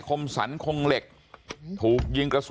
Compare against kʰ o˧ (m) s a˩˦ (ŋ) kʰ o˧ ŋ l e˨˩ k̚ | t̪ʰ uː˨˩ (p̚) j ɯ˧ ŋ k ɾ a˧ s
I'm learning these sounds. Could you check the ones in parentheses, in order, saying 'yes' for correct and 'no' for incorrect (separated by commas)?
yes, no, no